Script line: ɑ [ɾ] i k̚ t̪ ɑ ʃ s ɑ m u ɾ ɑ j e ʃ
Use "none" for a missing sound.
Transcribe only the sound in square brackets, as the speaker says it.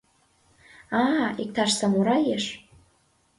none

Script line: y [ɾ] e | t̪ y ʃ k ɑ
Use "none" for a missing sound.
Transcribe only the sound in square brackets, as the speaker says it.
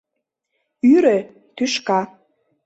ɾ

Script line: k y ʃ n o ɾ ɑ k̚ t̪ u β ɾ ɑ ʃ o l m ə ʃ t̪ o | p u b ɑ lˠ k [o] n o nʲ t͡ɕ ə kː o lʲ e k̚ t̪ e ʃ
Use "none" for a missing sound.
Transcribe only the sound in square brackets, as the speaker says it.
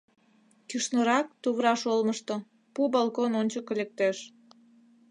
o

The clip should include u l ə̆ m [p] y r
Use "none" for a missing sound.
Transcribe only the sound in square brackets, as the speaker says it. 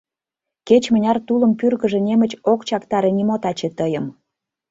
p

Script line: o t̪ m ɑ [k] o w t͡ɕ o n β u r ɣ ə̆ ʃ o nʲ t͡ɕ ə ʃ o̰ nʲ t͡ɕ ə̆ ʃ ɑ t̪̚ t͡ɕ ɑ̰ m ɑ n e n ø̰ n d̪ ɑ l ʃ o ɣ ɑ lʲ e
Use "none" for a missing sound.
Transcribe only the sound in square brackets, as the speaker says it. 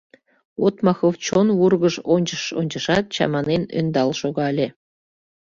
x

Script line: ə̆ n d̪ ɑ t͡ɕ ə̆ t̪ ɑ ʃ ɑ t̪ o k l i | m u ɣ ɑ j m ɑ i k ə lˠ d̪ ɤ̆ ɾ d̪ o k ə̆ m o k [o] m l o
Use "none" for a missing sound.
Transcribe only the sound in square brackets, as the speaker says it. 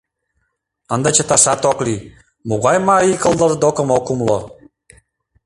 u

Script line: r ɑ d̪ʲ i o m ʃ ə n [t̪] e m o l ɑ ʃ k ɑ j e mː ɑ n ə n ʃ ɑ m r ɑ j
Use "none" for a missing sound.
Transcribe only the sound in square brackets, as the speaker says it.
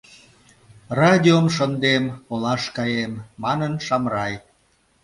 d̪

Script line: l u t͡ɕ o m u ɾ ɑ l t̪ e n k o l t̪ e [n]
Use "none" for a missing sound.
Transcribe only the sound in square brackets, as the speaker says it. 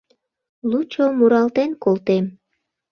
m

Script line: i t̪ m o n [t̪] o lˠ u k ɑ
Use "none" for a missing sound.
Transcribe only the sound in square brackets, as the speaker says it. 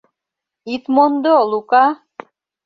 d̪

